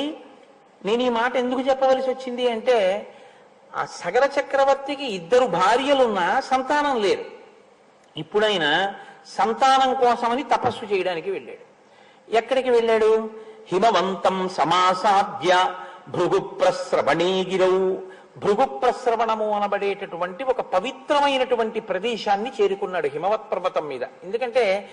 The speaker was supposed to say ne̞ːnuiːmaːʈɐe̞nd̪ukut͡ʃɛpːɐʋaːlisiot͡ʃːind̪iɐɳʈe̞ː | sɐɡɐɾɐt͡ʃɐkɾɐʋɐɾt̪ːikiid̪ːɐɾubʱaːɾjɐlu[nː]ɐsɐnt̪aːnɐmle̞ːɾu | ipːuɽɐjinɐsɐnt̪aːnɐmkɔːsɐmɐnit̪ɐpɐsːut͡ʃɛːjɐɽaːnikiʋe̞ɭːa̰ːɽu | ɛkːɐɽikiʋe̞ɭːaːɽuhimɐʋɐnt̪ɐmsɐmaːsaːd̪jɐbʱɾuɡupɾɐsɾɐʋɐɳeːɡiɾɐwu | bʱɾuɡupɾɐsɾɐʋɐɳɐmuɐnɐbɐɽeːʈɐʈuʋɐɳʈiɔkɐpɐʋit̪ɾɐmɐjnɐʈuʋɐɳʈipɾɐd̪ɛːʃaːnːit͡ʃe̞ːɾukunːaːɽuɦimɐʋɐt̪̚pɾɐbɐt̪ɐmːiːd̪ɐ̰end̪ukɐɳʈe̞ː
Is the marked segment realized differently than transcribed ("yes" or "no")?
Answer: no